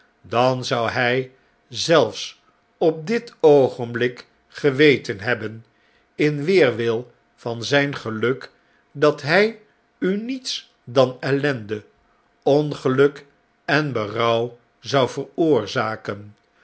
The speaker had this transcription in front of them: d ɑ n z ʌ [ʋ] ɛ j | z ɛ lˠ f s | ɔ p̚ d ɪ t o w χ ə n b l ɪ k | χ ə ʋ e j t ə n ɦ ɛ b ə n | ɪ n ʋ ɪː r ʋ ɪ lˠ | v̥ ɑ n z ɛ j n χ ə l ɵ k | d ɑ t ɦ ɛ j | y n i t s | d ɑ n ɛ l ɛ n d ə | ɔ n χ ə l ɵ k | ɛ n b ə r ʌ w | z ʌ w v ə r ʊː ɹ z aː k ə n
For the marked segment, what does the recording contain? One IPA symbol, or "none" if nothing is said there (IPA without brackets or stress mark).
w